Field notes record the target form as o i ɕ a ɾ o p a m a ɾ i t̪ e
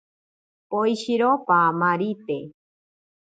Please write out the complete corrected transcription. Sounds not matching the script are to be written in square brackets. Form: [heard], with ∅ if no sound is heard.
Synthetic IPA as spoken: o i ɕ [i] ɾ o p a m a ɾ i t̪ e